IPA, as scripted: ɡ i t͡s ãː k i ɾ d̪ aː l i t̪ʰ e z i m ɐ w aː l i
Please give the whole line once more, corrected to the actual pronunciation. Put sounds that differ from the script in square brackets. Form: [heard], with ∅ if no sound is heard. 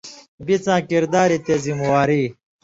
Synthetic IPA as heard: [b] i t͡s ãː k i ɾ d̪ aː [ɾ] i [t̪] e z i m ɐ w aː [ɾ] i